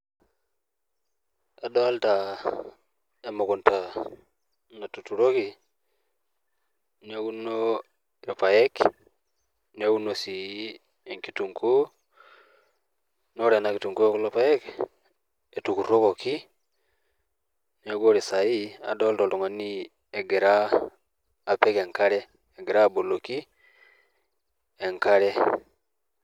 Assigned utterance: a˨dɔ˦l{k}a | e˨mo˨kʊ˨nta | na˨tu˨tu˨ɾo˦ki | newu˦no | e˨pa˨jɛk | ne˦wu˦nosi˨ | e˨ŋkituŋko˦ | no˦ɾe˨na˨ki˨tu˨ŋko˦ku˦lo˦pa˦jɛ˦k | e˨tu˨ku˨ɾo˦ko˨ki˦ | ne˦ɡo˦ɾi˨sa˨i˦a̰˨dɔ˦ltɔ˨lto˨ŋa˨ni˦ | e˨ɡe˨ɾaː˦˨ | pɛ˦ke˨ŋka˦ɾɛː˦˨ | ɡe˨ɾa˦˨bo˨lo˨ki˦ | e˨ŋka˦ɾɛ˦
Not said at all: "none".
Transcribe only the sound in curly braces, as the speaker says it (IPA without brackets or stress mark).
t